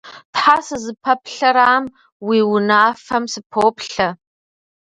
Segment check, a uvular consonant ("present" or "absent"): absent